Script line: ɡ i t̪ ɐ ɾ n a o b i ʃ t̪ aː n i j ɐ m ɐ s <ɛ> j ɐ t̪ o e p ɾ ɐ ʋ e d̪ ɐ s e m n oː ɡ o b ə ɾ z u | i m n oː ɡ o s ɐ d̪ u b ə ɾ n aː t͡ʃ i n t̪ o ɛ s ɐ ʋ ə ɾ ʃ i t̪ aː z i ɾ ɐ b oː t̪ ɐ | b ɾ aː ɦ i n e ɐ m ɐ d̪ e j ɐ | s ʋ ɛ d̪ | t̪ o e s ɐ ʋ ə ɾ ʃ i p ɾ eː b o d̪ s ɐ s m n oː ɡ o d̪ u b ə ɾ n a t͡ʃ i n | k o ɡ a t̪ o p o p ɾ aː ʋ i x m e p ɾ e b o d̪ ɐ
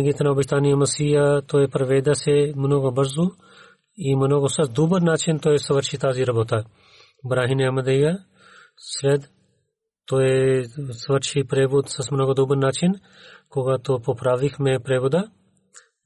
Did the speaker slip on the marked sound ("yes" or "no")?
yes